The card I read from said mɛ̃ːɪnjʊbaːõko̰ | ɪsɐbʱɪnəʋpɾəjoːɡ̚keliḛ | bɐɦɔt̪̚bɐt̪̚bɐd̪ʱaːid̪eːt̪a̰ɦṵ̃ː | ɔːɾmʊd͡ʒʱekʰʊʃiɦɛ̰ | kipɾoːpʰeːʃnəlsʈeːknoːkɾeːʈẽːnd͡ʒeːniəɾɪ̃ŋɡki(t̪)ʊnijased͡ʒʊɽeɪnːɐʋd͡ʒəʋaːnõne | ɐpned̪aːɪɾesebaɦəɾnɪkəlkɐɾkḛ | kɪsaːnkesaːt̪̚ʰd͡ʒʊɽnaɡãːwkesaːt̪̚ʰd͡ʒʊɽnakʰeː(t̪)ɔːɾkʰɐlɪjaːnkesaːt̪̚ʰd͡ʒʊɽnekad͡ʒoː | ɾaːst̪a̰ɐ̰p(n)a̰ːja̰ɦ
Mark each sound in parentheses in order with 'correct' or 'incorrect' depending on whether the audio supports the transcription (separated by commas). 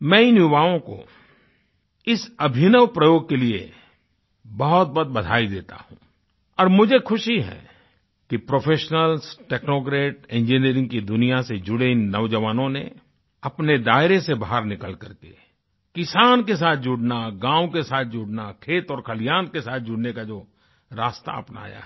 incorrect, correct, correct